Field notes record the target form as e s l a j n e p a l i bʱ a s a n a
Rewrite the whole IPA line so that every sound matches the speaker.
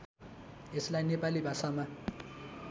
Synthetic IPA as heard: e s l a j n e p a l i bʱ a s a m a